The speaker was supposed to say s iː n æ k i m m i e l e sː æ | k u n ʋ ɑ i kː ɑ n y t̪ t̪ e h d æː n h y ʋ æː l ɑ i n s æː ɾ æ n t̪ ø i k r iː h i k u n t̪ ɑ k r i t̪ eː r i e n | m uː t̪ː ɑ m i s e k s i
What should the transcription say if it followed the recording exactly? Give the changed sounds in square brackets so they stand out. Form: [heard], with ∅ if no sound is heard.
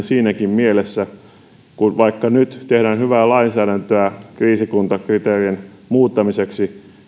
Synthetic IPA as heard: s iː n æ k i m m i e l e sː æ | k u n ʋ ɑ i kː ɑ n y t̪ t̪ e h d æː n h y ʋ æː l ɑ i n s æː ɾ æ n t̪ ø [æ] k r iː [s] i k u n t̪ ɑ k r i t̪ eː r i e n | m uː t̪ː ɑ m i s e k s i